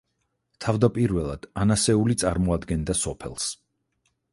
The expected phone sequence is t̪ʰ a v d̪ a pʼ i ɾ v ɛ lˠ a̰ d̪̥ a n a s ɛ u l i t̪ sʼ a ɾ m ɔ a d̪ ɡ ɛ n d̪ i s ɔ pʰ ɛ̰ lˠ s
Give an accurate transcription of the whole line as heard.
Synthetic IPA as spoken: t̪ʰ a v d̪ a pʼ i ɾ v ɛ lˠ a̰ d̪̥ a n a s ɛ u l i t̪ sʼ a ɾ m ɔ a d̪ ɡ ɛ n d̪ a s ɔ pʰ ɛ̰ lˠ s